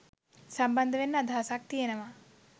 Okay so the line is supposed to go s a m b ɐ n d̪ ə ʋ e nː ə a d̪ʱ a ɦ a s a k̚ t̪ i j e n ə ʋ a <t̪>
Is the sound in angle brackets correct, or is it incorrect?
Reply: incorrect